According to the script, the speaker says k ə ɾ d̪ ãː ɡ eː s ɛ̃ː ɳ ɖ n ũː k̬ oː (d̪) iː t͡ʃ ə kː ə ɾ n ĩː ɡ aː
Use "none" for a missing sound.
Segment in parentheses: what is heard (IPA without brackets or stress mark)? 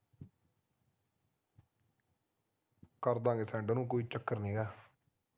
none